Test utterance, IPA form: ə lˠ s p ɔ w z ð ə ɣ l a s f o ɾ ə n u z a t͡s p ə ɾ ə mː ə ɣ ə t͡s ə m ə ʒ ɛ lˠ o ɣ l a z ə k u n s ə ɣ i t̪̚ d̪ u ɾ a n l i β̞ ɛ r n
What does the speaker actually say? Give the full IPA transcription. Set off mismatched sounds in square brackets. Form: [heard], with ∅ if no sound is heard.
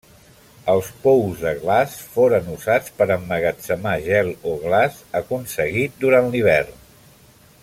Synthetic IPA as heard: ə lˠ s p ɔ w z ð ə ɣ l a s f o ɾ ə n u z a t͡s p ə ɾ ə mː ə ɣ ə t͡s ə m [a] ʒ ɛ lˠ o ɣ l a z ə k u n s ə ɣ i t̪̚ d̪ u ɾ a n l i β̞ ɛ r n